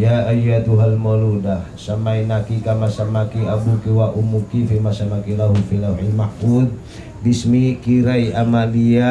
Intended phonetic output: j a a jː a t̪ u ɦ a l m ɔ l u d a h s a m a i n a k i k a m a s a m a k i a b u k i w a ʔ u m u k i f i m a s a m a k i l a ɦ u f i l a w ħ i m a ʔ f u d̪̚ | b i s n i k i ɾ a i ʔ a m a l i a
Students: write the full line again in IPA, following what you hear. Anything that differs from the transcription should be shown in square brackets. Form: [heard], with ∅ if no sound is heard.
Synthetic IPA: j a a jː a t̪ u ɦ a l m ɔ l u d a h s a m a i n a k i k a m a s a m a k i a b u k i w a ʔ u m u k i f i m a s a m a k i l a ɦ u f i l a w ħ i m a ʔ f u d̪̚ | b i s [m] i k i ɾ a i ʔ a m a l i a